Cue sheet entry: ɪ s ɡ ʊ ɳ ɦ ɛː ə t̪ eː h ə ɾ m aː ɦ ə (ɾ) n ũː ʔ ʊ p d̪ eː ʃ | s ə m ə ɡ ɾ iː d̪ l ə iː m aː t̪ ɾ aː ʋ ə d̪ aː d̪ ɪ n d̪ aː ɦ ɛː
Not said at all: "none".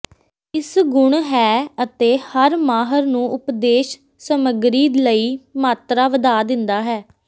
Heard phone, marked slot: ɾ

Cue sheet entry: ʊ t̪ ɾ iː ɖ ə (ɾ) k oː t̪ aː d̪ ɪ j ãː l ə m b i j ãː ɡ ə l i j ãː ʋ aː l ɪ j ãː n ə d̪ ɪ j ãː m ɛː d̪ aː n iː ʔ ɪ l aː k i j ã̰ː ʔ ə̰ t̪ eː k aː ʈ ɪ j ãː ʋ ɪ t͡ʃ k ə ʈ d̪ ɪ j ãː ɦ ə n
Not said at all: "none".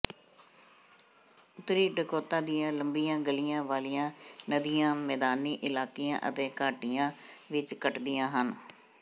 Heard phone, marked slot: none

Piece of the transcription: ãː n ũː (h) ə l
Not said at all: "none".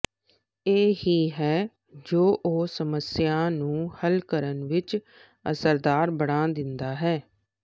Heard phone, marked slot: h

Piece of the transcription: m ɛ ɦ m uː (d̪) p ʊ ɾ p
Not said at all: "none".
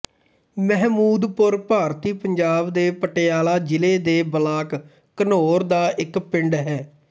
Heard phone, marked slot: d̪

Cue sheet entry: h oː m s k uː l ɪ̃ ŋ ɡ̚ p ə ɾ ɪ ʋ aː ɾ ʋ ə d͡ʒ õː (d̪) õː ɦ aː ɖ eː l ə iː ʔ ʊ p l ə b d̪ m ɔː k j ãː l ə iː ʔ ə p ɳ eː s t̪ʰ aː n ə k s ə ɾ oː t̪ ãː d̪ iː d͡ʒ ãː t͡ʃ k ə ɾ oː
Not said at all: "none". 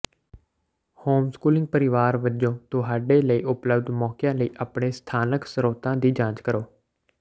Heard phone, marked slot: t̪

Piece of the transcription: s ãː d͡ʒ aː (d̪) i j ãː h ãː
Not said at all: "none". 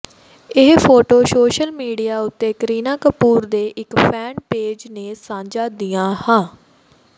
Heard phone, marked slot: d̪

